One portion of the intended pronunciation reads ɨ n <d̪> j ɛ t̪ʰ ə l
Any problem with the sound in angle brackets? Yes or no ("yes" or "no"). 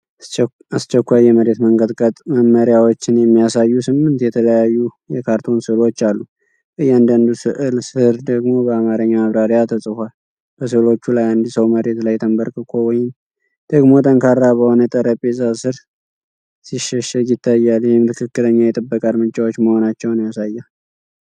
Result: yes